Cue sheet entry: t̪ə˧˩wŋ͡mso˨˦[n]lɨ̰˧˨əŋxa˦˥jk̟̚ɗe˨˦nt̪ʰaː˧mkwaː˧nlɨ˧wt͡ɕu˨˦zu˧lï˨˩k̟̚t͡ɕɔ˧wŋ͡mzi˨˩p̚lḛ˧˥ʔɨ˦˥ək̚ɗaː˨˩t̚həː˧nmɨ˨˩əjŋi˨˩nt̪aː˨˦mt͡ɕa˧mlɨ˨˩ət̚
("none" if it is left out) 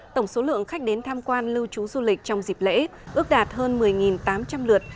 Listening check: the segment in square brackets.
none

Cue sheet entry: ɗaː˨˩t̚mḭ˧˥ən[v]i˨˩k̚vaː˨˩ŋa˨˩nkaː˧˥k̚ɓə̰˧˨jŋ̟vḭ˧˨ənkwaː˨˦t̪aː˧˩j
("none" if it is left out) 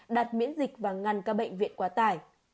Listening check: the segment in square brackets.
z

